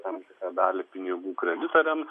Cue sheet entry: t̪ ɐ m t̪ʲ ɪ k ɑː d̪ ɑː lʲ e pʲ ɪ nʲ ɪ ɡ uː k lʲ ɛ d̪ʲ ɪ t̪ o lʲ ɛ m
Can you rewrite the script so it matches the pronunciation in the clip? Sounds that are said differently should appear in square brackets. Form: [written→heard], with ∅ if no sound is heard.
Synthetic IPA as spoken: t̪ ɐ m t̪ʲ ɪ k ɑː d̪ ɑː lʲ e pʲ ɪ nʲ ɪ ɡ uː k [lʲ→ɾʲ] ɛ d̪ʲ ɪ t̪ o [lʲ→ɾʲ] ɛ m